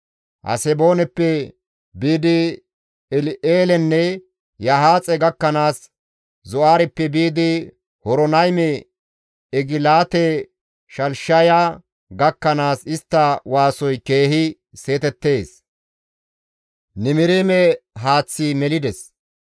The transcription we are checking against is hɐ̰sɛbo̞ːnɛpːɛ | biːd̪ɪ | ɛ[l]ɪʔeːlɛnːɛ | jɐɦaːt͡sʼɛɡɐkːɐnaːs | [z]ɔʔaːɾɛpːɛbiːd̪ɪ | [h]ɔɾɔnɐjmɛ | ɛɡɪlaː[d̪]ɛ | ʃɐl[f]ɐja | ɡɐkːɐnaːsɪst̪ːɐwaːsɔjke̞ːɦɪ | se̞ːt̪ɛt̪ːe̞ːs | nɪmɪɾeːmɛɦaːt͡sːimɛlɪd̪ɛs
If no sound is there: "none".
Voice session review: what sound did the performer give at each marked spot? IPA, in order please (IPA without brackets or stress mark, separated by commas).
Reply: l, z, h, t̪, ʃ